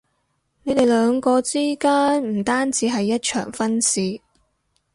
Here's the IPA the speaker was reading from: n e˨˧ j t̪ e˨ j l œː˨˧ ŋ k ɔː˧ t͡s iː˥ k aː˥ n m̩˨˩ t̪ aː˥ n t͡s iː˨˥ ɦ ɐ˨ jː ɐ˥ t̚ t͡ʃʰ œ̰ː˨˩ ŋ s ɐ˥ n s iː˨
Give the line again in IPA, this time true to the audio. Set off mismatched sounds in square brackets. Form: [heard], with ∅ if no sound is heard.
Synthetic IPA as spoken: n e˨˧ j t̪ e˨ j l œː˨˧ ŋ k ɔː˧ t͡s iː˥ k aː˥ n m̩˨˩ t̪ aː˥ n t͡s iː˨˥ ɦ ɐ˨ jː ɐ˥ t̚ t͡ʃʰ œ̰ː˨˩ ŋ [f] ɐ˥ n s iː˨